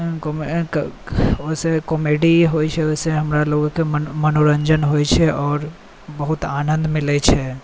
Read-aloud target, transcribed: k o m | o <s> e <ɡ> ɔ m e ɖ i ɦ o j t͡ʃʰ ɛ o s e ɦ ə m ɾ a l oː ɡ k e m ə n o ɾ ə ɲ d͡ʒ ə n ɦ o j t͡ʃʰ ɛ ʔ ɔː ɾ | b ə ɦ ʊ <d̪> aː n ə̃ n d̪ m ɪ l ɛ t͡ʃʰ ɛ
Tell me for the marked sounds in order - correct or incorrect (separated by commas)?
correct, incorrect, incorrect